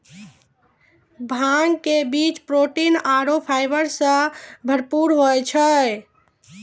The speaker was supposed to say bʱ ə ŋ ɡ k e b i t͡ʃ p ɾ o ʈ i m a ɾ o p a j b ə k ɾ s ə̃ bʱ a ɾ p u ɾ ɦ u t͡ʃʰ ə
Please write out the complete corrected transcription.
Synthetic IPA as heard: bʱ a ŋ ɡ k e b i t͡ʃ p ɾ o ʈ i n a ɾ o pʰ a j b ə ɾ s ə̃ bʱ ə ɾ p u ɾ ɦ o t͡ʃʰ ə

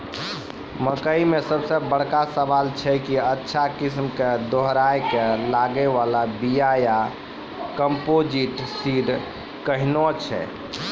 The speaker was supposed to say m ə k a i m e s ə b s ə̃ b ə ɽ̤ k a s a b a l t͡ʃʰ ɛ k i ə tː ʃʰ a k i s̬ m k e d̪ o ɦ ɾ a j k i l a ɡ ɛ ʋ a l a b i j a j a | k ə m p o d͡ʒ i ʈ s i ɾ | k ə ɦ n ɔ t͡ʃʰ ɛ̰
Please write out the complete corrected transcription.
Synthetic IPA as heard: m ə k ə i m e s ə b s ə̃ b ə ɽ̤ k a s ə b a l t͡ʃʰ ɛ k i ə tː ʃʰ a k i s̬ m k e d̪ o ɦ ɾ a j k e l a ɡ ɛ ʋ a l a b i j a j a | k ə m p o d͡ʒ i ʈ s i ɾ | k ə ɦ n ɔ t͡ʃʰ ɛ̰

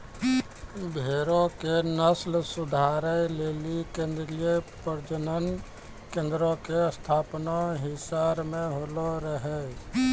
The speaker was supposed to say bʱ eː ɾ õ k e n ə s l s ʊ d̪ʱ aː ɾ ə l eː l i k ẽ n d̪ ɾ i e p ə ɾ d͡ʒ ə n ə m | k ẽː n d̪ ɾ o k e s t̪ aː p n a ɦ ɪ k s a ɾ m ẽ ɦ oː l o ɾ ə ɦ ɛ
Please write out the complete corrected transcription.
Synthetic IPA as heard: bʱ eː ɾ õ k e n ə s l s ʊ d̪ʱ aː ɾ ə l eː l i k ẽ n d̪ ɾ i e p ə ɾ d͡ʒ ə n ə n | k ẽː n d̪ ɾ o k e s t̪ʰ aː p n a ɦ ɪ s a ɾ m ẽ ɦ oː l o ɾ ə ɦ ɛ

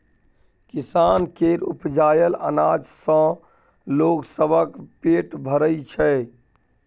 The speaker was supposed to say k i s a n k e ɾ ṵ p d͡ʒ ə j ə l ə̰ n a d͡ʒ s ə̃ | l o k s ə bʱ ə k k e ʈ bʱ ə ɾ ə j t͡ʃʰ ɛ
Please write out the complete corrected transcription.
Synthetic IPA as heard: k i s a n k e ɾ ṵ p d͡ʒ a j ə l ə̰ n a d͡ʒ s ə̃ | l o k s ə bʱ ə k p e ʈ bʱ ə ɾ ə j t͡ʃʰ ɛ

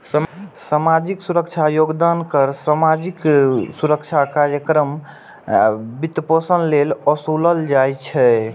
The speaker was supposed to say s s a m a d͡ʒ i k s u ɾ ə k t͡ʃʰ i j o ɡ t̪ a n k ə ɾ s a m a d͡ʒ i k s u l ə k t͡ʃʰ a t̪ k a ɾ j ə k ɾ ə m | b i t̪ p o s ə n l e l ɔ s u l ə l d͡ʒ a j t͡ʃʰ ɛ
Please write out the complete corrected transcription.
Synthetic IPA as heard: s s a m a d͡ʒ i k s u ɾ ə k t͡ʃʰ a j o ɡ d̪ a n k ə ɾ s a m a d͡ʒ i k s u ɾ ə k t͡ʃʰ a k a ɾ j ə k ɾ ə m | b i t̪ p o s ə n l e l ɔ s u l ə l d͡ʒ a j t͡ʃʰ ɛ

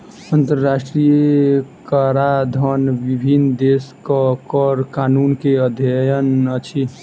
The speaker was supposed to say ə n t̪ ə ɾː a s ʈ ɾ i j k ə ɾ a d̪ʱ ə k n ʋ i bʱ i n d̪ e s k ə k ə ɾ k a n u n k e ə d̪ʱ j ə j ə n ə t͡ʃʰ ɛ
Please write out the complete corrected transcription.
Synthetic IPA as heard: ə n t̪ ə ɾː a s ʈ ɾ i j k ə ɾ a d̪ʱ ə n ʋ i bʱ i n d̪ e s k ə k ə ɾ k a n u n k e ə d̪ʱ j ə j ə n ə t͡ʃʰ i

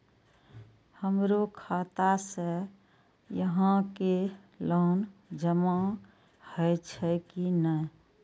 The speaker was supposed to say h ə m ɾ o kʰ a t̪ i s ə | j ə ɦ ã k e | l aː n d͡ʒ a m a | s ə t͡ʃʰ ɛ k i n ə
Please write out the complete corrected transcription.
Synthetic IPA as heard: h ə m ɾ o kʰ a t̪ a s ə | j ə ɦ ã k e | l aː n d͡ʒ ə m a | h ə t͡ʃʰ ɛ k i n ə

